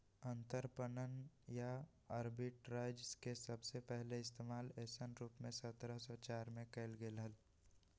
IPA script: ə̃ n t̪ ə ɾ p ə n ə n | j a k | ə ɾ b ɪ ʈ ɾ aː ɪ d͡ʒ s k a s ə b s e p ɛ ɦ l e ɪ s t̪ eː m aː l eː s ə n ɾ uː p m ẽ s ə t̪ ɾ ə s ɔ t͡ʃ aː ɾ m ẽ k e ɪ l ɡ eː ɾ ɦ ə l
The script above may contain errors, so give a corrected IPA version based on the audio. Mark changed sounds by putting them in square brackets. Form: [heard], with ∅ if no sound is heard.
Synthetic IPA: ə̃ n t̪ ə ɾ p ə n ə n | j a [∅] | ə ɾ b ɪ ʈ ɾ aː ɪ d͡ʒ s k [e] s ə b s e p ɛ ɦ l e ɪ s t̪ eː m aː l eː s ə n ɾ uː p m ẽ s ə t̪ ɾ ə s ɔ t͡ʃ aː ɾ m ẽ k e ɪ l ɡ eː [l] ɦ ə l